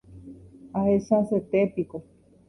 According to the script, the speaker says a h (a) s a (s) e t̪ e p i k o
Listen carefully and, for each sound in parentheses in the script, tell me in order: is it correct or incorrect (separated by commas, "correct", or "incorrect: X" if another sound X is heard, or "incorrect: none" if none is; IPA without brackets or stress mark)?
incorrect: e, correct